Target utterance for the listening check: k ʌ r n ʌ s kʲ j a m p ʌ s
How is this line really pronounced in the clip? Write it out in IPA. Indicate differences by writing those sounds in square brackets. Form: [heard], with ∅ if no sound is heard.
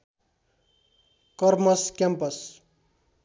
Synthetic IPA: k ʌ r [m] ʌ s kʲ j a m p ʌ s